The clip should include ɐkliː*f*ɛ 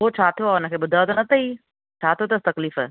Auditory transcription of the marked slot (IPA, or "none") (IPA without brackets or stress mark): f